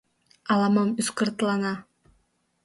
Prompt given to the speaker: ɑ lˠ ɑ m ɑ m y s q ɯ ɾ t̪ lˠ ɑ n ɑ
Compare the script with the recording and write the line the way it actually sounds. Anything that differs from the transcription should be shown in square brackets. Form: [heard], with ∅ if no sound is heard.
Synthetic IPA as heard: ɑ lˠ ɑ m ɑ m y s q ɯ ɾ t̪ lˠ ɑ n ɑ